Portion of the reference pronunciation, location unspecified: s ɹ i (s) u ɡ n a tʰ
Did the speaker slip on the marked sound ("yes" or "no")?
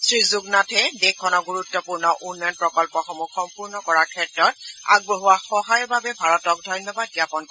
yes